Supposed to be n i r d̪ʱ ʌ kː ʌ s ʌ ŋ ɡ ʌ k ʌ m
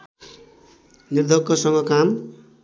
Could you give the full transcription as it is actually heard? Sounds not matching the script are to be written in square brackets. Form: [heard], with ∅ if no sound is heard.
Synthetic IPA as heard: n i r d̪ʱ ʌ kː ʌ s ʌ ŋ ɡ ʌ k [a] m

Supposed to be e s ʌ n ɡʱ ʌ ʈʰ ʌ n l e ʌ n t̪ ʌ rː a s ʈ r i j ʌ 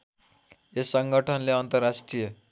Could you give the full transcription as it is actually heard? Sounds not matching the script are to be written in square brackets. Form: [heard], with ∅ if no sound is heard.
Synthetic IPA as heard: e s ʌ [ŋ] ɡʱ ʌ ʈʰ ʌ n l e ʌ n t̪ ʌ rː a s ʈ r i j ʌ

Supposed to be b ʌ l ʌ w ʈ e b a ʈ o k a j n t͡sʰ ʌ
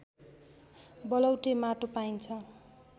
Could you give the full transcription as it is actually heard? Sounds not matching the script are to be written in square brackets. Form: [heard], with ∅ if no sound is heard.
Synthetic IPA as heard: b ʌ l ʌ w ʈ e [m] a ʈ o [p] a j n t͡sʰ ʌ

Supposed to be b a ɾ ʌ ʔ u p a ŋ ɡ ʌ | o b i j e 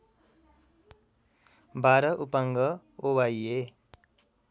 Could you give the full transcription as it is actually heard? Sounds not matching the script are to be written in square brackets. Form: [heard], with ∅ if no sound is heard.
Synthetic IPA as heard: b a ɾ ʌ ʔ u p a ŋ ɡ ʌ | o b [a] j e

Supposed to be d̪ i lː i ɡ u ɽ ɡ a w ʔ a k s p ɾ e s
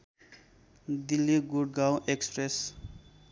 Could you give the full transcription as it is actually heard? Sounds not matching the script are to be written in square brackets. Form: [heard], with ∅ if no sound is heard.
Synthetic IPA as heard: d̪ i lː i ɡ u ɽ ɡ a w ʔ [e] k s p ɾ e s

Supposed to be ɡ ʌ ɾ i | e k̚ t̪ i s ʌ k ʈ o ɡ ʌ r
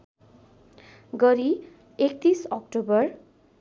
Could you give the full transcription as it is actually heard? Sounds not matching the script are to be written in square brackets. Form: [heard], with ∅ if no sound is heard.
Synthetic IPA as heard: ɡ ʌ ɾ i | e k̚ t̪ i s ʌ k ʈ o [b] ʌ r

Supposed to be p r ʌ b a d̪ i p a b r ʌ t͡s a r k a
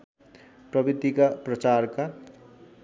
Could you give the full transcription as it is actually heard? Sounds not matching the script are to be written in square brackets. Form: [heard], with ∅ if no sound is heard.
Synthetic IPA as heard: p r ʌ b [i] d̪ i [k] a [p] r ʌ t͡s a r k a

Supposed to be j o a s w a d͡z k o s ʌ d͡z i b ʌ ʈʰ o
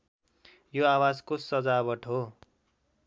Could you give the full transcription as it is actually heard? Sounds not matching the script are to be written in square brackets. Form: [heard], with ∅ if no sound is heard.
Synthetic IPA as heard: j o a [∅] w a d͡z k o s ʌ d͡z [a] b ʌ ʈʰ o

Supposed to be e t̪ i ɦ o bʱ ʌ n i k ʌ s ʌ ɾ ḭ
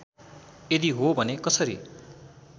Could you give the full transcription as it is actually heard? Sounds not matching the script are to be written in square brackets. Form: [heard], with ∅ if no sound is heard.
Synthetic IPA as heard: e [d̪] i ɦ o bʱ ʌ n [e] k ʌ s ʌ ɾ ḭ

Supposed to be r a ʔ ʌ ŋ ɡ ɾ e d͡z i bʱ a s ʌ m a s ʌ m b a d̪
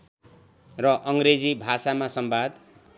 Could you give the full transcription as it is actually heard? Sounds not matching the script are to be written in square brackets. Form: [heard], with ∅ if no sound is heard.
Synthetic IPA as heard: r [ʌ] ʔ ʌ ŋ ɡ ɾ e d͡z i bʱ a s [a] m a s ʌ m b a d̪

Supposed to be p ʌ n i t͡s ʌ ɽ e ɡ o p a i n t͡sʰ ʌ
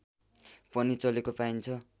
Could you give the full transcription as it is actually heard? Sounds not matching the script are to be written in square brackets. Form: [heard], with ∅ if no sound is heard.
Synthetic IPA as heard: p ʌ n i t͡s ʌ [l] e [k] o p a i n t͡sʰ ʌ

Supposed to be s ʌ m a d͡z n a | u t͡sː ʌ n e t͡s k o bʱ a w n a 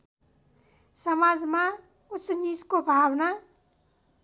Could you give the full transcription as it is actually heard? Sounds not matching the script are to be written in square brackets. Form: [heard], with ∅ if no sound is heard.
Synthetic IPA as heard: s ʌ m a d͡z [m] a | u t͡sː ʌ n [i] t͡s k o bʱ a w n a

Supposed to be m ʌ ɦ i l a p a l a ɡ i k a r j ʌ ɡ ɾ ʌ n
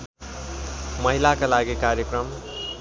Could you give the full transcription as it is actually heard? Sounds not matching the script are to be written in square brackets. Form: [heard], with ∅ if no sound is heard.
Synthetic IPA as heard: m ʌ ɦ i l a [k] a l a ɡ i k a [ɾ] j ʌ [k] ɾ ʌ [m]

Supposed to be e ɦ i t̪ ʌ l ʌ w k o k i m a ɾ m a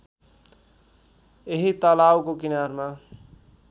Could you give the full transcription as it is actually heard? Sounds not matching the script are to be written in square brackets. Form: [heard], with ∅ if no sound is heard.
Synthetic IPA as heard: e ɦ i t̪ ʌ l [a] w k o k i [n] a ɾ m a

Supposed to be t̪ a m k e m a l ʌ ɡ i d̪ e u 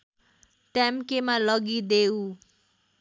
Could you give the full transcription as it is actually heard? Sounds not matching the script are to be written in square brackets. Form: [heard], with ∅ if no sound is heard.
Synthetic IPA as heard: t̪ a m k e m a l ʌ ɡ i d̪ e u

